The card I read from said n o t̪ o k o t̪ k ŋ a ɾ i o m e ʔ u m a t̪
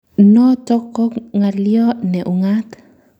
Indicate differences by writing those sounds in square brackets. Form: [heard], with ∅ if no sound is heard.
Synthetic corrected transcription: n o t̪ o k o [∅] k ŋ a [l] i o [n] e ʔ u [ŋ] a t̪